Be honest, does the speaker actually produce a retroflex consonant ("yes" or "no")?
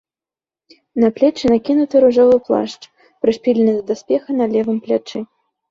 yes